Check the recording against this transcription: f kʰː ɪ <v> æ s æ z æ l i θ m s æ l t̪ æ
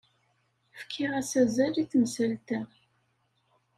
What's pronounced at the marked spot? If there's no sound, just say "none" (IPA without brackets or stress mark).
ʁ